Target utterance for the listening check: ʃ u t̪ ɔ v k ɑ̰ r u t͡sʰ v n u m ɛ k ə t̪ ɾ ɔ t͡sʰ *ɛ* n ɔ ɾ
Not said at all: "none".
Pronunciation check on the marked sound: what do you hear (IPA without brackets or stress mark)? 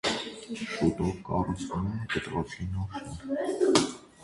i